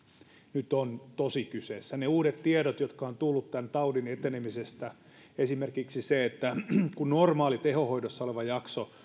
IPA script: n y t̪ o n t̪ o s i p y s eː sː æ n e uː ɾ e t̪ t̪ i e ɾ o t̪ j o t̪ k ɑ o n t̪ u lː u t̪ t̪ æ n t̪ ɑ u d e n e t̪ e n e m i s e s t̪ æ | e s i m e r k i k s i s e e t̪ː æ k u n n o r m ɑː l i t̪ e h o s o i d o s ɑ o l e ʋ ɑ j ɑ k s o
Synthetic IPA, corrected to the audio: n y t̪ o n t̪ o s i k y s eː sː æ n e uː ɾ e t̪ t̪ i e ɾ o t̪ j o t̪ k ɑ o n t̪ u lː u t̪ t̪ æ n t̪ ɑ u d i n e t̪ e n e m i s e s t̪ æ | e s i m e r k i k s i s e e t̪ː æ k u n n o r m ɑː l i t̪ e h o h o i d o sː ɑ o l e ʋ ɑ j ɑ k s o